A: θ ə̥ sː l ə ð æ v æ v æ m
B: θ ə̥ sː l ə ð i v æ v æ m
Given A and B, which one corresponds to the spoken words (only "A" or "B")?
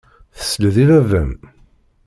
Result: B